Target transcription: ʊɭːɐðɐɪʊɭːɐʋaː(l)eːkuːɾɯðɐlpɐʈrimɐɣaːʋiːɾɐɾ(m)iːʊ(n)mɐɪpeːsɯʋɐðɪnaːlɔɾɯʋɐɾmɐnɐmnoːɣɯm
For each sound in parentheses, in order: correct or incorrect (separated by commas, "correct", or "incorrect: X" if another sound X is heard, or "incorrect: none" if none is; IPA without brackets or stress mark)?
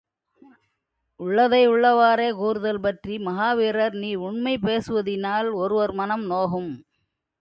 incorrect: ɾ, incorrect: n, incorrect: ɳ